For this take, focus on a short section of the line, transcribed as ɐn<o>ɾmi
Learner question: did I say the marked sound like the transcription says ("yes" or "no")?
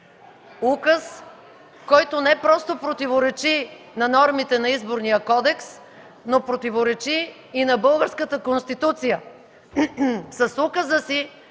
no